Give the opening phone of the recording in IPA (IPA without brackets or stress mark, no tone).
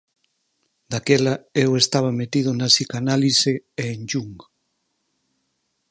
d̪